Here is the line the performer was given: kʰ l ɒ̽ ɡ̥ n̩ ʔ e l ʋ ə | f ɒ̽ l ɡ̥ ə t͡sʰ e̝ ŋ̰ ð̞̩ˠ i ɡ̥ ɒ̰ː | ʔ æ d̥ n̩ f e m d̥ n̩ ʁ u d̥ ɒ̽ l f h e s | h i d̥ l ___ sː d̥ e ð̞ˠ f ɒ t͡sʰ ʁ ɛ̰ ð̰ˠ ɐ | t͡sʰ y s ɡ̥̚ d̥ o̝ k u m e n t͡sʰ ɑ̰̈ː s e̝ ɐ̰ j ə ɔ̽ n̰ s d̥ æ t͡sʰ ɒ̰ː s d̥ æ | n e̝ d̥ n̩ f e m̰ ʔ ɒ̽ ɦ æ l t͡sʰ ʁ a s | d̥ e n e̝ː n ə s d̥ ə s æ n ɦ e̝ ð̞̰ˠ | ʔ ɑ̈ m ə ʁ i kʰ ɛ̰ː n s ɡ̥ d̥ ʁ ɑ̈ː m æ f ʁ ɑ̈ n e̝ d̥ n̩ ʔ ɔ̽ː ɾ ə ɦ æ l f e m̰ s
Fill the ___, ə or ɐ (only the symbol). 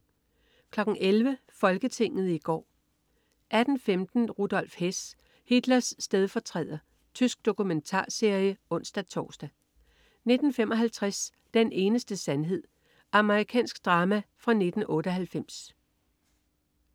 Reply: ɐ